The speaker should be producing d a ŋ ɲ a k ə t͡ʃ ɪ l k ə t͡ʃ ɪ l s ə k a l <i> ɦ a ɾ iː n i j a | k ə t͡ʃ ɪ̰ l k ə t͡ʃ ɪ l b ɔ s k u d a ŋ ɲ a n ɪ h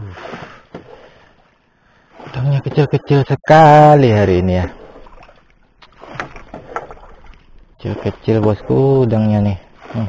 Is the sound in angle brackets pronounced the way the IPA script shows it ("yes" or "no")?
yes